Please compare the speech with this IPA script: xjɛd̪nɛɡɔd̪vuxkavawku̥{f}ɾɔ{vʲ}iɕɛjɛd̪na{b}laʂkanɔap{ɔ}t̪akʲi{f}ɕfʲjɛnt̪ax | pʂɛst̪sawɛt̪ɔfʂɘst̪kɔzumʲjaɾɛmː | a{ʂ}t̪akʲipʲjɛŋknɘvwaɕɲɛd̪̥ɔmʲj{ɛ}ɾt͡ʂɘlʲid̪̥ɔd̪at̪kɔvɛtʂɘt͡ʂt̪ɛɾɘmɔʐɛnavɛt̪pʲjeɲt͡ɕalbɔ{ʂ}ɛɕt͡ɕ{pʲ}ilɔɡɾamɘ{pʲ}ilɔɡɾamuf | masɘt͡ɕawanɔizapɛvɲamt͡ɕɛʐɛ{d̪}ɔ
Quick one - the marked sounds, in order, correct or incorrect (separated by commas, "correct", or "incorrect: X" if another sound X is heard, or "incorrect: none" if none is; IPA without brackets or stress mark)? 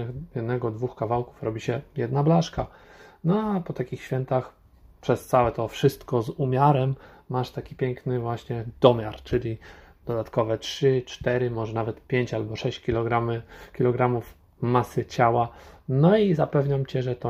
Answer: correct, incorrect: bʲ, correct, correct, incorrect: x, correct, incorrect: a, correct, incorrect: kʲ, incorrect: kʲ, incorrect: t̪